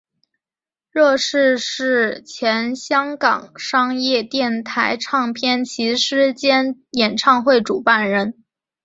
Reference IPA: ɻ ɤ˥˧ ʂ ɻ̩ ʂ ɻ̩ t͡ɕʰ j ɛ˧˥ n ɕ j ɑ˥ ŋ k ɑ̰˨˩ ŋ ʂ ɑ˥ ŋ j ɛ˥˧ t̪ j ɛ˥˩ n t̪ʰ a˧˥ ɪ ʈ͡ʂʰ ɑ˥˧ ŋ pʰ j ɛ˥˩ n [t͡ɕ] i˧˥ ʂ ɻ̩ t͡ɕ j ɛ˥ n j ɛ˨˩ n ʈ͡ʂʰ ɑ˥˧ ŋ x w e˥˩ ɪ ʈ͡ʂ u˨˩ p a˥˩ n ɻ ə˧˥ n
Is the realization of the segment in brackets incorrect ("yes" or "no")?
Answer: yes